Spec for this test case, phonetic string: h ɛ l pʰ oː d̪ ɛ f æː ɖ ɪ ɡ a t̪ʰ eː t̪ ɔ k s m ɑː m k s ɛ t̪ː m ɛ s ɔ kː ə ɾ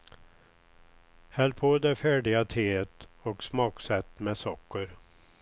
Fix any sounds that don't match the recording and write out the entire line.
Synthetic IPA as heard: h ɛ l pʰ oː d̪ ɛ f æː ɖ ɪ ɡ a t̪ʰ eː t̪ ɔ k s m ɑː k s ɛ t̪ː m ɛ s ɔ kː ə ɾ